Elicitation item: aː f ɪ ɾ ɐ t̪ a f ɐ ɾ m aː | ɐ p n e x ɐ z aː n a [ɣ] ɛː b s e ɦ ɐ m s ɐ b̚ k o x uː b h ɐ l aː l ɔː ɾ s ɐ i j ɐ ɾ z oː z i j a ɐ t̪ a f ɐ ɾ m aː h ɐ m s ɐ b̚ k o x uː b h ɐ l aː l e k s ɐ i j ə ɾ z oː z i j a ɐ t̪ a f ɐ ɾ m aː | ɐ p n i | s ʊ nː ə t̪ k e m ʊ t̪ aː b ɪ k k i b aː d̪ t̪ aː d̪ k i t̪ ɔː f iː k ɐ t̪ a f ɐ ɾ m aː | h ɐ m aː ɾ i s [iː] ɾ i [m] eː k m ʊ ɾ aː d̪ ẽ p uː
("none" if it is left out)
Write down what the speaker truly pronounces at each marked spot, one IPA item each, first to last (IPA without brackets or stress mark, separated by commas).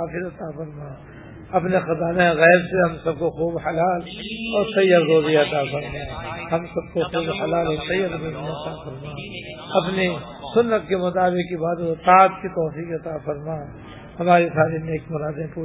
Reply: ɣ, aː, n